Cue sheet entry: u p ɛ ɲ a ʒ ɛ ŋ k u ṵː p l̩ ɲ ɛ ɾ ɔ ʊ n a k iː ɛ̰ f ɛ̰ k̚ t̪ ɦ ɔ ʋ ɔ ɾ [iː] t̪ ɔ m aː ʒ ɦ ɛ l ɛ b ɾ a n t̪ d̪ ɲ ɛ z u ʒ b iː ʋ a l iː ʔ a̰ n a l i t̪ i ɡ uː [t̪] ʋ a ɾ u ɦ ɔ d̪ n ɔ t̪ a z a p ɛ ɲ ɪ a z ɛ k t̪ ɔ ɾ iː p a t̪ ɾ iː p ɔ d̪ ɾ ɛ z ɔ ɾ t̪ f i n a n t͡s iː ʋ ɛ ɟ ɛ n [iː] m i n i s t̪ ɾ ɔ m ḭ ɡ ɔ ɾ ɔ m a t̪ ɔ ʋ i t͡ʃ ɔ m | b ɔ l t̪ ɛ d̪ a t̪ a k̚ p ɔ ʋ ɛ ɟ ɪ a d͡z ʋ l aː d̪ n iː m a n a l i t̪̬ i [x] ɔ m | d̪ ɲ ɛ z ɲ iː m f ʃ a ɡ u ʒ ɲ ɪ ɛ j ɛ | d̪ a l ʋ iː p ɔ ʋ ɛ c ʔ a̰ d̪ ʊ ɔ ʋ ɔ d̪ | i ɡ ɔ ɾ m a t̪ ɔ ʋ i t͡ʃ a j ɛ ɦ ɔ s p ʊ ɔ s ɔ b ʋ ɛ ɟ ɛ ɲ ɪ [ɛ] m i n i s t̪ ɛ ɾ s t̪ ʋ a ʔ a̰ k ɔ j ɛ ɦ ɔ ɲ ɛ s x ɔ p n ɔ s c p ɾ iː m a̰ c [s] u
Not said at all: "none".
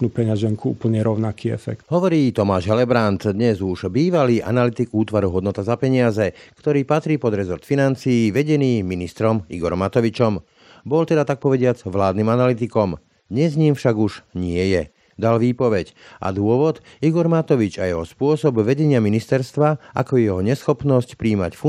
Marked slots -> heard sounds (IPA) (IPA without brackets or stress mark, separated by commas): iː, t̪, iː, k, a, f